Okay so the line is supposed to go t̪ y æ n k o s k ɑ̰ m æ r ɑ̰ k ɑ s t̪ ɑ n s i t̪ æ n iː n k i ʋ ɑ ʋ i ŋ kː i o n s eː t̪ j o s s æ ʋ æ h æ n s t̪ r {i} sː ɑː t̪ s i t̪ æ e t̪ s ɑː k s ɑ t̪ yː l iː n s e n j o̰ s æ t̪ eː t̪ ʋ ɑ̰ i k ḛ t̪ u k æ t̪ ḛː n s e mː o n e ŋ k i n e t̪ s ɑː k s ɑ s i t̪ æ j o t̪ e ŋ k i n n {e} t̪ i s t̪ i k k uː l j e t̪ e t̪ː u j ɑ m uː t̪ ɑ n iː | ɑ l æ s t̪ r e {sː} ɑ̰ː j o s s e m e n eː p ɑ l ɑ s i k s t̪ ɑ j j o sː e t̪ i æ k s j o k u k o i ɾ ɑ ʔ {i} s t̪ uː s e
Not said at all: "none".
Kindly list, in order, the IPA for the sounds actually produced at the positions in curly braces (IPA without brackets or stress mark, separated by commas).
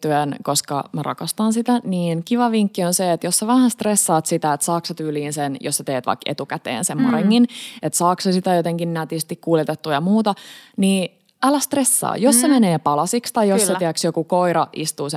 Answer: e, æ, sː, i